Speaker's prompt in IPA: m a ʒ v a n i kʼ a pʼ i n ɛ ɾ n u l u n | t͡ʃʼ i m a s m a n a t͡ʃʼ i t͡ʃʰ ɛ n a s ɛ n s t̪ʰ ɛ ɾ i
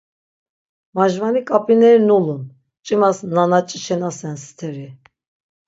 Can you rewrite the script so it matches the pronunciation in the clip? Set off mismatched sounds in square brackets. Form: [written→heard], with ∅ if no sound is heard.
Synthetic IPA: m a ʒ v a n i kʼ a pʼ i n ɛ ɾ n u l u n | t͡ʃʼ i m a s [m→n] a n a t͡ʃʼ i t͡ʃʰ ɛ n a s ɛ n s t̪ʰ ɛ ɾ i